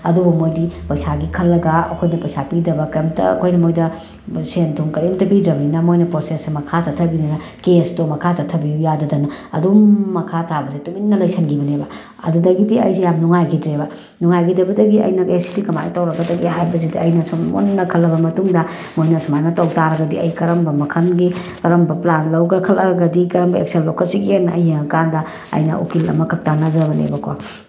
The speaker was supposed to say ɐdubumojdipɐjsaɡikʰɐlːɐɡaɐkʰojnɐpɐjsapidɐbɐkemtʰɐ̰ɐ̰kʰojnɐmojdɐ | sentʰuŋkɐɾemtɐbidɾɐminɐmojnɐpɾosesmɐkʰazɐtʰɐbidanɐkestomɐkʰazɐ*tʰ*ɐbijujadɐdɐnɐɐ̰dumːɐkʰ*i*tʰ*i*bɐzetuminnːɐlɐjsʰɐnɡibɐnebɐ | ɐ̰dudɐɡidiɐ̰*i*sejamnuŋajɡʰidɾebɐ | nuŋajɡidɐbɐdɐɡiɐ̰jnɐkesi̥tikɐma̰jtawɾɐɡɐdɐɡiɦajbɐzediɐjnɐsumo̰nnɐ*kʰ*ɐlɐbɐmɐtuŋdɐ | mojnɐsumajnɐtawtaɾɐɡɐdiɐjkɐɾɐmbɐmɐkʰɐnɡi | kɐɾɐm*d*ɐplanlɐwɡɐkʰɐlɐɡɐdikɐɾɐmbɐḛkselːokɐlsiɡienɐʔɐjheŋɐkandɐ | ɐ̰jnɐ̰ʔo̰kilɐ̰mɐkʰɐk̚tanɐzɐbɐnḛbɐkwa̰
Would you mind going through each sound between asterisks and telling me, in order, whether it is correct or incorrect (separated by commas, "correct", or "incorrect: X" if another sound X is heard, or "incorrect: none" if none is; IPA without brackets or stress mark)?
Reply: correct, incorrect: a, incorrect: a, incorrect: j, correct, incorrect: b